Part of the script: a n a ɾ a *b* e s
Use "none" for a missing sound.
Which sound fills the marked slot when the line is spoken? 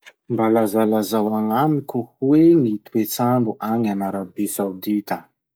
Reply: b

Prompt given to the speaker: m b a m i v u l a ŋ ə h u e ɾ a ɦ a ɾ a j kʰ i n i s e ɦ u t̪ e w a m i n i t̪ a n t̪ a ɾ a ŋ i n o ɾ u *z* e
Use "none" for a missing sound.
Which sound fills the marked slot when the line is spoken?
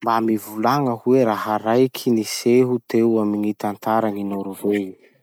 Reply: v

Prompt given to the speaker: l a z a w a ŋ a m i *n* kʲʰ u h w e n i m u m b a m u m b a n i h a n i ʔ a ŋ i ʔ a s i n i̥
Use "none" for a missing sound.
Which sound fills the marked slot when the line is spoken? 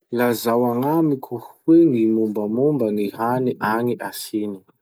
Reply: none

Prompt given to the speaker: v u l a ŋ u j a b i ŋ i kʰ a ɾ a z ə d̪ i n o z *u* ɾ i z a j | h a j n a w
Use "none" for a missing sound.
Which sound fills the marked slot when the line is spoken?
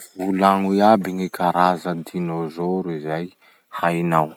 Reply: o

